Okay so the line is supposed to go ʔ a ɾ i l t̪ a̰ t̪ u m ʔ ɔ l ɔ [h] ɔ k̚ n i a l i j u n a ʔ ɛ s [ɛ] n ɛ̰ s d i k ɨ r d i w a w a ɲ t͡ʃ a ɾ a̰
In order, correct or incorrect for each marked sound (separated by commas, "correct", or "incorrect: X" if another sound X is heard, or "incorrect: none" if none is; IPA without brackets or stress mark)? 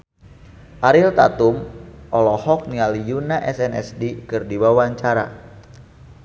correct, correct